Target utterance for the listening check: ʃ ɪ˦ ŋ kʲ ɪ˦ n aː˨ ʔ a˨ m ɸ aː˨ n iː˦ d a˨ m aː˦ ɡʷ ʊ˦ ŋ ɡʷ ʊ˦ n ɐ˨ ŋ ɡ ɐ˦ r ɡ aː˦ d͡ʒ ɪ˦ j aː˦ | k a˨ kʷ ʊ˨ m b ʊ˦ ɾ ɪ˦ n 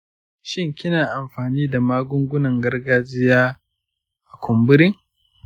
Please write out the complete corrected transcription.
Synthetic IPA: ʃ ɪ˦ ŋ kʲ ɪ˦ n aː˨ ʔ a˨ m ɸ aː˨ n iː˦ d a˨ m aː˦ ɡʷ ʊ˦ ŋ ɡʷ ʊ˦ n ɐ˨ ŋ ɡ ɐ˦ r ɡ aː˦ d͡ʒ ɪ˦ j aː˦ | ʔ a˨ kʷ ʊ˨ m b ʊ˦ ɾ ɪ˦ ŋ

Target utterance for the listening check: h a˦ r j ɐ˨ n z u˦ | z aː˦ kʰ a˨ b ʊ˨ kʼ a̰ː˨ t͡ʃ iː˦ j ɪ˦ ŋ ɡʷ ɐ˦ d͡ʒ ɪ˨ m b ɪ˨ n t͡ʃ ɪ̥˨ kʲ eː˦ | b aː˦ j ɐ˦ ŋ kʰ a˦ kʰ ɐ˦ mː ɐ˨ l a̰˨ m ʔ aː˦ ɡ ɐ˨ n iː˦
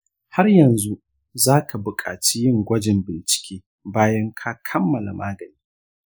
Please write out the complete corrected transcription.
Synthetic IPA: h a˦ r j ɐ˨ n z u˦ | z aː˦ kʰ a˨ b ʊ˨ kʼ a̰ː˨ t͡ʃ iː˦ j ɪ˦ ŋ ɡʷ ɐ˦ d͡ʒ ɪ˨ m b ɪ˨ n t͡ʃ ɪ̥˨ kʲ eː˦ | b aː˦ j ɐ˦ ŋ kʰ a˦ kʰ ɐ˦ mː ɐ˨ l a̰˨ m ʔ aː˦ ɡ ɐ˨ n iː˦

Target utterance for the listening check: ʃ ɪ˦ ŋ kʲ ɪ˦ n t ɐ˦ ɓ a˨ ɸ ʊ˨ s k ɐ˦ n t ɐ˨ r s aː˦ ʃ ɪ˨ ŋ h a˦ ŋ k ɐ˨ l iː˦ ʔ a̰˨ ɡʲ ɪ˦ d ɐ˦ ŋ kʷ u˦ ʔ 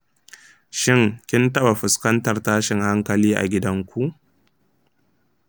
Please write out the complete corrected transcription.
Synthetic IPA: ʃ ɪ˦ ŋ kʲ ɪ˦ n t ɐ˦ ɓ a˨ ɸ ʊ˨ s k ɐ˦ n t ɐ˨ r t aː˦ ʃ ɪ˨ ŋ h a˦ ŋ k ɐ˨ l iː˦ ʔ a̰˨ ɡʲ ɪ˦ d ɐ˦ ŋ kʷ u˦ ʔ

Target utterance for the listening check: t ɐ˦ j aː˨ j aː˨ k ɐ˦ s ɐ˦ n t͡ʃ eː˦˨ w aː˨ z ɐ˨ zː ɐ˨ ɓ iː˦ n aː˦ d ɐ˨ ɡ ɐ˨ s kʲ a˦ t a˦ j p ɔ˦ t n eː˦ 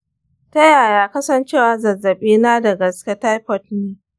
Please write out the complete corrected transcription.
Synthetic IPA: t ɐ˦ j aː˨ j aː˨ k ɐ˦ s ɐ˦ n t͡ʃ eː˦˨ w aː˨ z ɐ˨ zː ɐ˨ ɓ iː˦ n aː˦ d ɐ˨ ɡ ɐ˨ s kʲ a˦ t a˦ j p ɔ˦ t n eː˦

